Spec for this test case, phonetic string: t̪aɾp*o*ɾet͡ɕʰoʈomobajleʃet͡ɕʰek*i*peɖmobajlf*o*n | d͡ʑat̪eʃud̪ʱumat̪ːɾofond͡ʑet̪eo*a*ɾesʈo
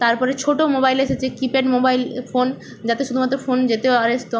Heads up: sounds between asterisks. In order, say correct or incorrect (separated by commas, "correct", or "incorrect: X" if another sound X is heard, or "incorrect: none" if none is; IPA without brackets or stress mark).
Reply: incorrect: ɔ, correct, correct, correct